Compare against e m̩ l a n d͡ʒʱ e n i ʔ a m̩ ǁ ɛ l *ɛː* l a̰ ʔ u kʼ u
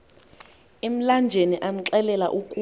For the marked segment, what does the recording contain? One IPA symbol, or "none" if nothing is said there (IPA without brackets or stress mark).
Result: ɛ